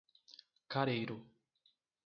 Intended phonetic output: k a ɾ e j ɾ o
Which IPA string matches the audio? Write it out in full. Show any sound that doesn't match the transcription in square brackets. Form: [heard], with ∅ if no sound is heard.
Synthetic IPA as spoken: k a ɾ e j ɾ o